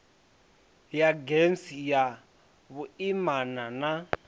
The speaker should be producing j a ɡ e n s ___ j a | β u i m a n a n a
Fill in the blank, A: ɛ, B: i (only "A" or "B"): B